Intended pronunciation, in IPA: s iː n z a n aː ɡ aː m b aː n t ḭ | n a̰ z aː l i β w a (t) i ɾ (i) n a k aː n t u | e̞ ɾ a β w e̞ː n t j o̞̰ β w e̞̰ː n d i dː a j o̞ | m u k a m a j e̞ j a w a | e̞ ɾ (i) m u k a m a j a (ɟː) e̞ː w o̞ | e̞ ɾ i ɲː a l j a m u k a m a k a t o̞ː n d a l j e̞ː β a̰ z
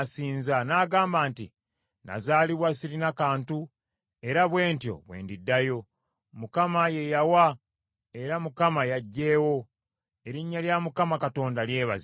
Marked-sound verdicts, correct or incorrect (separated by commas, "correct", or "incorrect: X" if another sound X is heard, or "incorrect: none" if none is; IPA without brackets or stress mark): incorrect: s, correct, incorrect: a, correct